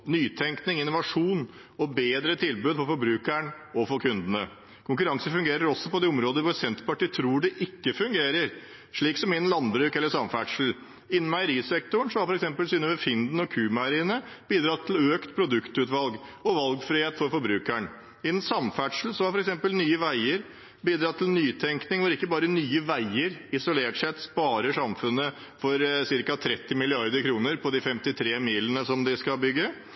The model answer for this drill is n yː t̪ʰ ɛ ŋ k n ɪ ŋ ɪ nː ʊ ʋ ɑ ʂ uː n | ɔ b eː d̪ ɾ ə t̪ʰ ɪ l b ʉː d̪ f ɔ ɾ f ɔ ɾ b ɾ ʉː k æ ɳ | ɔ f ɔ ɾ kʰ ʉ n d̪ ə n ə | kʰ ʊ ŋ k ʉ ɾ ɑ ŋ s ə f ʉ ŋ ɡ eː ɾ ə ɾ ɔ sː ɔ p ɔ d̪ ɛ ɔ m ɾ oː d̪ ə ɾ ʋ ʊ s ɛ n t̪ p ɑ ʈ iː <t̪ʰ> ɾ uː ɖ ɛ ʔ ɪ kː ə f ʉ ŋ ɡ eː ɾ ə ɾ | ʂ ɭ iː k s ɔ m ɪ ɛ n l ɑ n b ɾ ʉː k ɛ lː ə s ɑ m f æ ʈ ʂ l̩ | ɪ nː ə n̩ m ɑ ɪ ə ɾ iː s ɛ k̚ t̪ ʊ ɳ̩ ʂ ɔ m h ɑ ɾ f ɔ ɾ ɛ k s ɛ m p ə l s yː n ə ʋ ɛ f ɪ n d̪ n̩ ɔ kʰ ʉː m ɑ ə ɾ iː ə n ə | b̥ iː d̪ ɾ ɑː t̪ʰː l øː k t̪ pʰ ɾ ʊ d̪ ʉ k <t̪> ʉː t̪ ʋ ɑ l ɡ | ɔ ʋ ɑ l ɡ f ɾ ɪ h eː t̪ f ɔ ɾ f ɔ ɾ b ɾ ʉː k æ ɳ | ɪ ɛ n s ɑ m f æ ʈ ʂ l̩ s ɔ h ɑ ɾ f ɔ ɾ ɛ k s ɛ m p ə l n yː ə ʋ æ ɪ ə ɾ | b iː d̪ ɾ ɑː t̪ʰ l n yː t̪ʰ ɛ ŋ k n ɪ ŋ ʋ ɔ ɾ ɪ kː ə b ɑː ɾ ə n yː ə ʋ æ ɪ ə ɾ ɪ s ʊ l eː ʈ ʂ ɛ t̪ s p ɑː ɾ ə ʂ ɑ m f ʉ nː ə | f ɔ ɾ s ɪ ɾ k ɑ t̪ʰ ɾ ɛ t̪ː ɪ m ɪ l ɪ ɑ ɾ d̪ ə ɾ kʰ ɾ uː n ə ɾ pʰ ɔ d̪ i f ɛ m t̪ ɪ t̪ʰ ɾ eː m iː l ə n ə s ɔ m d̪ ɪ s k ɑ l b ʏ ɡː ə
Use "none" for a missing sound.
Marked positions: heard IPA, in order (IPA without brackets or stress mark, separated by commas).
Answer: t̪ʰ, t̪